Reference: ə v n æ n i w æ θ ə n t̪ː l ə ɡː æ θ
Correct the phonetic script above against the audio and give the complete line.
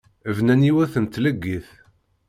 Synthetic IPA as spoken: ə v n æ n i w æ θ ə n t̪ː l ə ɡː i θ